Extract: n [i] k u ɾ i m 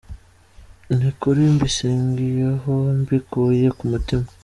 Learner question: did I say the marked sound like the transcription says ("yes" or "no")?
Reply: yes